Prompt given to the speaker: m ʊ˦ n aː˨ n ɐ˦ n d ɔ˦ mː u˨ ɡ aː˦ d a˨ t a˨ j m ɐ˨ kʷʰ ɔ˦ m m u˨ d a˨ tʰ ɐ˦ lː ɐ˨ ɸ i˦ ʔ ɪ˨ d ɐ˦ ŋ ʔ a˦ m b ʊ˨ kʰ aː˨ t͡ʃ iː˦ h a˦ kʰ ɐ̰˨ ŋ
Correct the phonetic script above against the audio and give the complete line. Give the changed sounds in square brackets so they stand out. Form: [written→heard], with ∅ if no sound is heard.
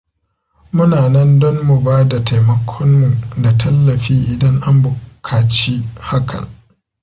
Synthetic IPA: m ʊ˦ n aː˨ n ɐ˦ n d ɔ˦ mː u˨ [ɡ→b] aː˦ d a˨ t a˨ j m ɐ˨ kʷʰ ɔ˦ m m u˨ d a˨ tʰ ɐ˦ lː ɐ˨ ɸ [i˦→iː˦] ʔ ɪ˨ d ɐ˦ ŋ ʔ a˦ m b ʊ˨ kʰ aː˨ t͡ʃ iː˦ h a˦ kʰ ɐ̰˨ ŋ